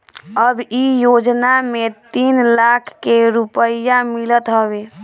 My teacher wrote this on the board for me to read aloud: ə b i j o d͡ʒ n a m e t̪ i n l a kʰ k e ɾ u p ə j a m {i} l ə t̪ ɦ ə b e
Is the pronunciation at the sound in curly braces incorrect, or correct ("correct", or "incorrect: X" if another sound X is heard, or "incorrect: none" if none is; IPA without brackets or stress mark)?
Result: correct